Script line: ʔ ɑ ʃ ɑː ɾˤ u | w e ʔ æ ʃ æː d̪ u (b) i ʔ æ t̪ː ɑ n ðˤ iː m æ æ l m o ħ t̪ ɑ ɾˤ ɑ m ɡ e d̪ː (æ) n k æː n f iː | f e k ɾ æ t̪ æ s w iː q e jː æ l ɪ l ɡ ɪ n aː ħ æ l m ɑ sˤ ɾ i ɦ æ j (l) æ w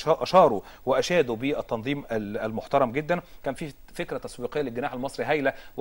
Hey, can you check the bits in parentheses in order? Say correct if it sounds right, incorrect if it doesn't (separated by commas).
correct, correct, correct